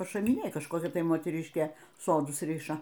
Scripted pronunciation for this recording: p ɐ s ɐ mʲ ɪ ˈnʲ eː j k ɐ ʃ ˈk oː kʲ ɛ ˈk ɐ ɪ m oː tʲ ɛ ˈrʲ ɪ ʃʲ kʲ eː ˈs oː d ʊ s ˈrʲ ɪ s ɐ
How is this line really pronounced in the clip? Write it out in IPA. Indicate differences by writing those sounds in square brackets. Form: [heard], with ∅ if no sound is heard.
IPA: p ɐ [ʃ] ɐ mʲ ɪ ˈnʲ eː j k ɐ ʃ ˈk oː kʲ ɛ [ˈt] ɐ ɪ m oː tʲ ɛ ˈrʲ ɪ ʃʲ kʲ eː ˈs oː d ʊ s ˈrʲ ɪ [ʃ] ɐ